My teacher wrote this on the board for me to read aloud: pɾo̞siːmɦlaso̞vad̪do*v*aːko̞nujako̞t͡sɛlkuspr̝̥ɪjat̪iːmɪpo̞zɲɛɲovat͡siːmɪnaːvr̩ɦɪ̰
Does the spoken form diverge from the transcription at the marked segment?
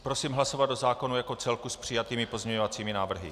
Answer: yes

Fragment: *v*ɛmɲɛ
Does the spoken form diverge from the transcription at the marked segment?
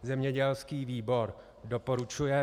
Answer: yes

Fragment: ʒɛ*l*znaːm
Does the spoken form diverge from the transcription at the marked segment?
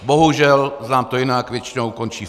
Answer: no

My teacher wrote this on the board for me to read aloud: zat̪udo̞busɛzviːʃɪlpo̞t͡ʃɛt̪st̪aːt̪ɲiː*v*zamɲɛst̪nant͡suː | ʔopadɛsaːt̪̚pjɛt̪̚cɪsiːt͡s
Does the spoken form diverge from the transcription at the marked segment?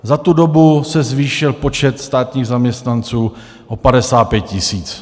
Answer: yes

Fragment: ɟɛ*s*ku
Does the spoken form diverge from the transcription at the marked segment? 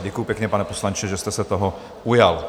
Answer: yes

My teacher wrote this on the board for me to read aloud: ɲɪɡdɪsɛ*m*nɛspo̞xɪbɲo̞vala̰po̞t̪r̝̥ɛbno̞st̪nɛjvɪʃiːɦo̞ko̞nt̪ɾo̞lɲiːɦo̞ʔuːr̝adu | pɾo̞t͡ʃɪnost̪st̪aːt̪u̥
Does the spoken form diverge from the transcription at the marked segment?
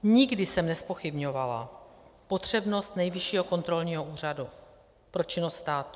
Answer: no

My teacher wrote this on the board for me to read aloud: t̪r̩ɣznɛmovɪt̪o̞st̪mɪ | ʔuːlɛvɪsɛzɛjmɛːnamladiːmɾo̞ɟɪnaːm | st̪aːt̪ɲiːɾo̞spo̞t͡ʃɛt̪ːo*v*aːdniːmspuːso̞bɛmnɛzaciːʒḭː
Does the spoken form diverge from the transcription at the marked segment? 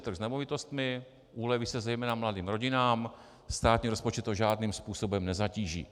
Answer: yes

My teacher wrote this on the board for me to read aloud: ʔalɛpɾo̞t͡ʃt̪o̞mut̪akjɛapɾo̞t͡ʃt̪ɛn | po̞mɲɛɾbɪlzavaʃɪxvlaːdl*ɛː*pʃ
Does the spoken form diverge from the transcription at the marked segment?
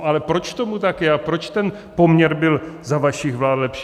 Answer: yes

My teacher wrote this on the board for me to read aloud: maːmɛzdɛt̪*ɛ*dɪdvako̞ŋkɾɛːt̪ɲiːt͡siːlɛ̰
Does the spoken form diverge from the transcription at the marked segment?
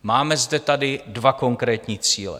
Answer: yes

